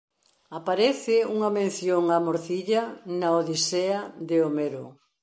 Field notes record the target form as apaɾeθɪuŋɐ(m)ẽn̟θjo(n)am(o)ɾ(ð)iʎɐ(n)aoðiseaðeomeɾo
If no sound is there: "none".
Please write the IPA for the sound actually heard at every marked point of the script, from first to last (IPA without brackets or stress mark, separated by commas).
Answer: m, ŋ, o, θ, n